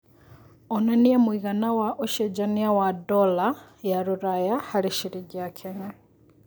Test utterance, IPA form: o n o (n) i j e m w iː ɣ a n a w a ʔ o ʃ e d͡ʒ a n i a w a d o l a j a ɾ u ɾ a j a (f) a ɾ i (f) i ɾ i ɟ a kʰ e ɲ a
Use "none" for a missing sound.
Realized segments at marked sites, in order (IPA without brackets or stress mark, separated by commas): n, h, ʃ